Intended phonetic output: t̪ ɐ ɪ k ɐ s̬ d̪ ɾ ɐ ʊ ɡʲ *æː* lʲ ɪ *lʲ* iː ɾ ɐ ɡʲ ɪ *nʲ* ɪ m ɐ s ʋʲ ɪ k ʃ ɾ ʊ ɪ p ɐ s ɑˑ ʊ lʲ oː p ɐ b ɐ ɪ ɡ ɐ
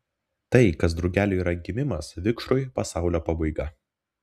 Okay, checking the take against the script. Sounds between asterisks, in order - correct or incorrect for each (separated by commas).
correct, incorrect, incorrect